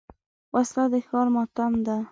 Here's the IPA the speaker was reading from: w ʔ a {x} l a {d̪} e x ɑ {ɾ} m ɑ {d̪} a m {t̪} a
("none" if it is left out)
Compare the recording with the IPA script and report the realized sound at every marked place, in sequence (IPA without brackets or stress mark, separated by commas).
s, d̪, ɾ, t̪, d̪